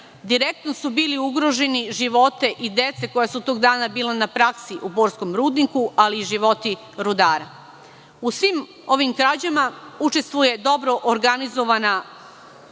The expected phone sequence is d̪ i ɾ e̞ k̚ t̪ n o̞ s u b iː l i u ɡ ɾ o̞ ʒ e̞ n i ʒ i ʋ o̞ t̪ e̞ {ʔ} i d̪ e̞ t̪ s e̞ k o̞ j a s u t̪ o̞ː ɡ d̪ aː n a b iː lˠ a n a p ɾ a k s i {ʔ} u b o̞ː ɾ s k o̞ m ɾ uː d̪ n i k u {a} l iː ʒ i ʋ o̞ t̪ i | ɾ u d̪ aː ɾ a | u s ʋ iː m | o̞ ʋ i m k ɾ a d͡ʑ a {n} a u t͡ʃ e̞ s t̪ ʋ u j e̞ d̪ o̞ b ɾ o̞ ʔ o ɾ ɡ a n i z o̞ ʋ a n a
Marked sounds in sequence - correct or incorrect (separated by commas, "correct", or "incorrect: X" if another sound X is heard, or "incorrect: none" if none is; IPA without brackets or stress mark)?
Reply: correct, correct, correct, incorrect: m